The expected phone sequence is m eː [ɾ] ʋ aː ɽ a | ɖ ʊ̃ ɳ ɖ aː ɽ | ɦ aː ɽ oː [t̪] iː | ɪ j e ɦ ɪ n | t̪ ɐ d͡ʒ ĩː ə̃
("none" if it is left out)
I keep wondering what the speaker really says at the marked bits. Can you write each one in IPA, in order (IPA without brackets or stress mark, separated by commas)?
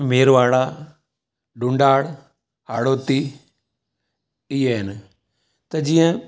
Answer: ɾ, t̪